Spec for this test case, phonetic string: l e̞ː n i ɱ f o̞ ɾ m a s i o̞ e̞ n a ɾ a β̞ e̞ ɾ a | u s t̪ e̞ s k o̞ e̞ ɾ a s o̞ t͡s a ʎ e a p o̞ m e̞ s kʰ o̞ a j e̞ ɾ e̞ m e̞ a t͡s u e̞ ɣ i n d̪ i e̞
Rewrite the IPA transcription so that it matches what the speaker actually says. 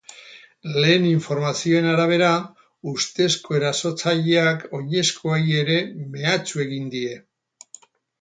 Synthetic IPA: l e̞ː n i ɱ f o̞ ɾ m a s i o̞ e̞ n a ɾ a β̞ e̞ ɾ a | u s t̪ e̞ s k o̞ e̞ ɾ a s o̞ t͡s a ʎ e a k o̞ ɲ e̞ s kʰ o̞ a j e̞ ɾ e̞ m e̞ a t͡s u e̞ ɣ i n d̪ i e̞